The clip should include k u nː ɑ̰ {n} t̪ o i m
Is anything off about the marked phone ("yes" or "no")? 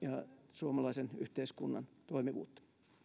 no